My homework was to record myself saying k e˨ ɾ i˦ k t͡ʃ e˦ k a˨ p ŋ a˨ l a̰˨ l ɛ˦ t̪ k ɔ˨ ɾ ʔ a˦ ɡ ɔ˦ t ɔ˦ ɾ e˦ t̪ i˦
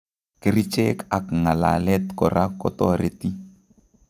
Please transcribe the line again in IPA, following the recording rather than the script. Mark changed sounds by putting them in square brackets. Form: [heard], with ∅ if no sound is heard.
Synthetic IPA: k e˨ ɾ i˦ [∅] t͡ʃ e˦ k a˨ [k] ŋ a˨ l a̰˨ l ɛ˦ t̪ k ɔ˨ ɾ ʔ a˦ [k] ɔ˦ t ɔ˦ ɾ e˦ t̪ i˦

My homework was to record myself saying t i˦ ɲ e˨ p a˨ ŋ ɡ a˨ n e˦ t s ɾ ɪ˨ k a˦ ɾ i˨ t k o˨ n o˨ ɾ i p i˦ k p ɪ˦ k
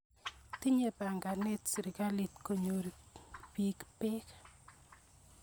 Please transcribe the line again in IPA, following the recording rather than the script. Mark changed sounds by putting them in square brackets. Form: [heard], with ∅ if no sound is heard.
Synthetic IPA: t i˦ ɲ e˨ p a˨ ŋ ɡ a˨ n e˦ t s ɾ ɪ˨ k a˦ [l] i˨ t k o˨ [ɲ] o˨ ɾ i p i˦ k p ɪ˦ k

